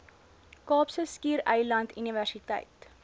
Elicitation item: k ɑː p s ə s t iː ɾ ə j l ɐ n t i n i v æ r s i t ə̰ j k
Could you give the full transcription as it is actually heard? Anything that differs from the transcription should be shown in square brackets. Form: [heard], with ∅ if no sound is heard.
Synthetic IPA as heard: k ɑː p s ə s [k] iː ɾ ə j l ɐ n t [y] n i v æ r s i t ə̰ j [t]